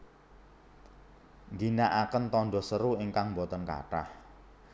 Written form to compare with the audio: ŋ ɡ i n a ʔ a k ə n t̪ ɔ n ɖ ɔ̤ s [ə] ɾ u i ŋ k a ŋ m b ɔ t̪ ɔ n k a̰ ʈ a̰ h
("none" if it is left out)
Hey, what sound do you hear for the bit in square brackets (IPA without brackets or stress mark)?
ə